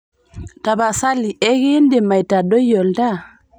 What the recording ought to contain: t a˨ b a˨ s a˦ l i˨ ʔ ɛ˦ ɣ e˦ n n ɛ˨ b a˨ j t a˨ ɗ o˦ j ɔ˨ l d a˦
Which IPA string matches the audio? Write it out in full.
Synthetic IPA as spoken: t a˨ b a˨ s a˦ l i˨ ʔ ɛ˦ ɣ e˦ n d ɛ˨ m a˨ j t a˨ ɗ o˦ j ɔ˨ l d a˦